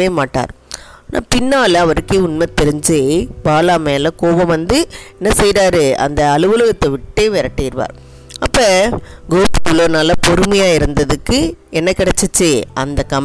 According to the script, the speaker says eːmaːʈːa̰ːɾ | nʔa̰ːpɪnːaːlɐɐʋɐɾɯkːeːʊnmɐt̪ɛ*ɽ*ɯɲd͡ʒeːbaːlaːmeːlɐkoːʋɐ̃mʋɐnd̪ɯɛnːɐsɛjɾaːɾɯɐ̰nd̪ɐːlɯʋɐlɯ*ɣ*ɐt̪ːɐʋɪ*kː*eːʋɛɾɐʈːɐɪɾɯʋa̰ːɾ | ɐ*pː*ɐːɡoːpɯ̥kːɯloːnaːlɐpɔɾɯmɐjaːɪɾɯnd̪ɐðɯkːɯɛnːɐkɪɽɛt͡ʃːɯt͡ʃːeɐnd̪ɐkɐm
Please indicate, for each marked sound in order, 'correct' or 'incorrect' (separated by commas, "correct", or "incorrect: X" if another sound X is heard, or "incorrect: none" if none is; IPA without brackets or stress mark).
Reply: incorrect: ɾ, correct, incorrect: ʈː, correct